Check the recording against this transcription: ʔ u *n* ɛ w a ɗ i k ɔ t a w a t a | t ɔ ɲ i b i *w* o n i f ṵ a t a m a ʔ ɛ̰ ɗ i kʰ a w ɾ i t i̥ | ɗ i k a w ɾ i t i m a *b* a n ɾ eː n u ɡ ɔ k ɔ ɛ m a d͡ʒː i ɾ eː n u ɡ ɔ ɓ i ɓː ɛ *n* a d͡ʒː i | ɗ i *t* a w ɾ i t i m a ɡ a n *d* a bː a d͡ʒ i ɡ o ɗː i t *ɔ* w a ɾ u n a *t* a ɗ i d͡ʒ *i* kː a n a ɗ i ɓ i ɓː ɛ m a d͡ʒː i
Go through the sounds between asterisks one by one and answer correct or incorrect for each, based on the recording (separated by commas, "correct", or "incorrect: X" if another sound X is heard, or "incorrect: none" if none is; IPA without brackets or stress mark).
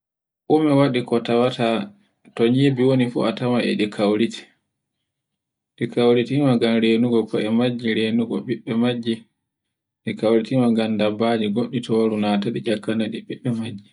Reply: incorrect: m, correct, incorrect: ɡ, incorrect: m, incorrect: k, correct, correct, correct, incorrect: a